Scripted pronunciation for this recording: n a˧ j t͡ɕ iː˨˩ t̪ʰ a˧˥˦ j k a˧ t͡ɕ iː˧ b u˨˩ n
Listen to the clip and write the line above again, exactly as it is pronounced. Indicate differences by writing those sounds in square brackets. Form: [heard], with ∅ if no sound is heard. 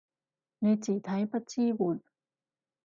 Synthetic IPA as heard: n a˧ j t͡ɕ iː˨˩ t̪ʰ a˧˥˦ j [p] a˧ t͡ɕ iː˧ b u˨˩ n